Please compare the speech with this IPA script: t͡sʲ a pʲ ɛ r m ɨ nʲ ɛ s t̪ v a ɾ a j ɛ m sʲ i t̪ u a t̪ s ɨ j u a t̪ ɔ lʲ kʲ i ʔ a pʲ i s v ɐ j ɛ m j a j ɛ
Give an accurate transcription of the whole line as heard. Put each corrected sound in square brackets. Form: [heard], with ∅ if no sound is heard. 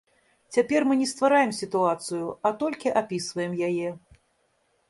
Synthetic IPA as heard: t͡sʲ a pʲ ɛ r m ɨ nʲ ɛ s t̪ v a ɾ a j ɛ m sʲ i t̪ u a t̪ s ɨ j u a t̪ ɔ lʲ kʲ i ʔ a pʲ i s v ɐ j ɛ m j a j ɛ